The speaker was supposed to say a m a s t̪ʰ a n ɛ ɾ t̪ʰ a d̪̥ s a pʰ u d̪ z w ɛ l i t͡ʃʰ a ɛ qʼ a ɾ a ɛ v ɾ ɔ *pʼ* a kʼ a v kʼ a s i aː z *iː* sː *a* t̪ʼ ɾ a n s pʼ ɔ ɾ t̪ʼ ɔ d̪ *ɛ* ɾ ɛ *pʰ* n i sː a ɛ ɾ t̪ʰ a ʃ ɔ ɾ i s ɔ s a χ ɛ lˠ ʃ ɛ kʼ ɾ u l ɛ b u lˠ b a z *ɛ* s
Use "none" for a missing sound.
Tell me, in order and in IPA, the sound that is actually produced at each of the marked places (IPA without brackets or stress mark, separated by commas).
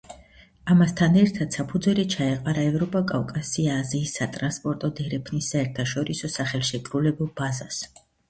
pʼ, iː, a, ɛ, pʰ, a